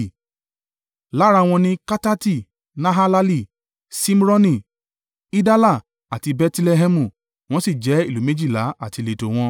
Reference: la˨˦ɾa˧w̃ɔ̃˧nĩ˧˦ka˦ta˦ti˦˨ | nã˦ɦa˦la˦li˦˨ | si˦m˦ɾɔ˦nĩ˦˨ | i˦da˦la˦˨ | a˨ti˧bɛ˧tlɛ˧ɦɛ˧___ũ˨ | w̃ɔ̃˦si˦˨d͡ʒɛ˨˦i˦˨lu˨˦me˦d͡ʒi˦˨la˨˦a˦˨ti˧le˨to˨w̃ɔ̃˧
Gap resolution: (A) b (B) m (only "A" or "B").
B